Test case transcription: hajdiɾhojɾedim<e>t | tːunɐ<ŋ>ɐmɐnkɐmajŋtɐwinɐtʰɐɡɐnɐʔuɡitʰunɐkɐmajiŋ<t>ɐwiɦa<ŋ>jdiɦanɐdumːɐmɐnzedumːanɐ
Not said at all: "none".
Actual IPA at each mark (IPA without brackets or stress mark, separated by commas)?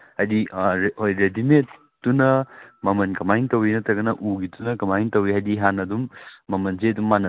e, m, t, none